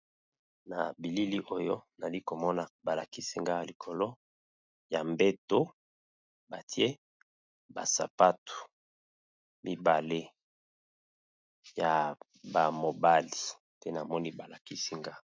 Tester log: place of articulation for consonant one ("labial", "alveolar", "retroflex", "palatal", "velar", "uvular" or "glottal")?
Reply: alveolar